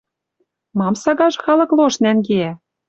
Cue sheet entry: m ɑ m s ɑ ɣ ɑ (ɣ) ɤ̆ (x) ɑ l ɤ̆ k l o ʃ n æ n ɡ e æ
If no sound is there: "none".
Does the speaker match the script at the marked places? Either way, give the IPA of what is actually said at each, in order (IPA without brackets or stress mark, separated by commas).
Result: ʒ, x